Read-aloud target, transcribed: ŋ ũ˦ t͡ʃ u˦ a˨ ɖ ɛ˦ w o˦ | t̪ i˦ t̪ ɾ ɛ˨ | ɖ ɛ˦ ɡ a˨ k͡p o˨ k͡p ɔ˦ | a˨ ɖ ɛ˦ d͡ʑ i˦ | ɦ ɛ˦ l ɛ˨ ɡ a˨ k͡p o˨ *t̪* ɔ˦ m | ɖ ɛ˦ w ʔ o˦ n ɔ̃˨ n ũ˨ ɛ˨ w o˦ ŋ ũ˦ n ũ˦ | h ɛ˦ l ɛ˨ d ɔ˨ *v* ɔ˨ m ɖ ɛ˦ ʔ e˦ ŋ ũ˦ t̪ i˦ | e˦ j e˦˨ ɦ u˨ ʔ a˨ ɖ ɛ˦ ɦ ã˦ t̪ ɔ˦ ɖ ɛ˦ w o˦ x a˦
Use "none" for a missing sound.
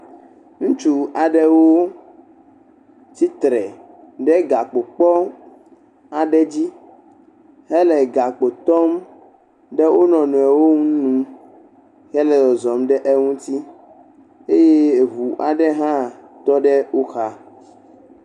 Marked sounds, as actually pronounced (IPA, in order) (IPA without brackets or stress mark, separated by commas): t̪, z